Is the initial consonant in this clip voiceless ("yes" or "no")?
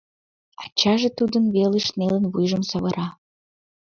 yes